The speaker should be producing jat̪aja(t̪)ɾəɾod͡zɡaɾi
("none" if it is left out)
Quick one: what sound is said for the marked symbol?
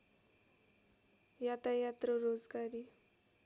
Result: t̪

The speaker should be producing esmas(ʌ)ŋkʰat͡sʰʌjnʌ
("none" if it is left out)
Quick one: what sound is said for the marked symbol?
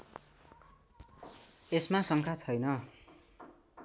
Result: ʌ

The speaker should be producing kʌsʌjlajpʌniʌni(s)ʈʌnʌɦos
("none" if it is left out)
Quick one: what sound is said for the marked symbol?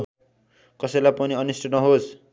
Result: s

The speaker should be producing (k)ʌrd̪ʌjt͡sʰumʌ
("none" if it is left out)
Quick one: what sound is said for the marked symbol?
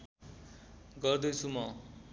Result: ɡ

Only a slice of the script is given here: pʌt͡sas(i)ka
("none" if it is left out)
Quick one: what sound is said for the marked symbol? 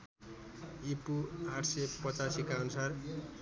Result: i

